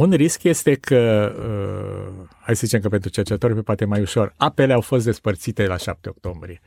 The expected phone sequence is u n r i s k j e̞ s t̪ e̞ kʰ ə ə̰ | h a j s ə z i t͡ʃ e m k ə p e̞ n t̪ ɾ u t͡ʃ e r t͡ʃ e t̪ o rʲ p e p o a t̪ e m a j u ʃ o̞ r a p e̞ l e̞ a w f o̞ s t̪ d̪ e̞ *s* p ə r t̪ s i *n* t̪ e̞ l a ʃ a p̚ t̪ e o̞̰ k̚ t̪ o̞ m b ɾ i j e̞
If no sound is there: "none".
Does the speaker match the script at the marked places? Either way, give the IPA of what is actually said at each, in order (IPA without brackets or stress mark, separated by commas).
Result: s, none